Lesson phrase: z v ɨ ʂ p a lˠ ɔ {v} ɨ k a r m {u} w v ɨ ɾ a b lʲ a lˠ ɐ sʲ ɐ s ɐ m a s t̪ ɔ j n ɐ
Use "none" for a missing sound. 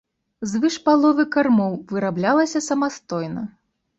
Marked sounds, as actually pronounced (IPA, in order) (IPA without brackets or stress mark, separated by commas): v, ɔ